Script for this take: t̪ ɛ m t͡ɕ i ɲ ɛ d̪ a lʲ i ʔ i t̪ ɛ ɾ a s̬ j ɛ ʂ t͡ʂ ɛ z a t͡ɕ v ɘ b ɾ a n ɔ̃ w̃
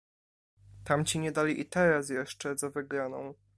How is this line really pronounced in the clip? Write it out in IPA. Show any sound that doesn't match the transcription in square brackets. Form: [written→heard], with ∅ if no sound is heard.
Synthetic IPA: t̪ [ɛ→a] m t͡ɕ i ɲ ɛ d̪ a lʲ i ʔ i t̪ ɛ ɾ a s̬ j ɛ ʂ t͡ʂ ɛ z a [t͡ɕ→∅] v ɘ [b→ɡ] ɾ a n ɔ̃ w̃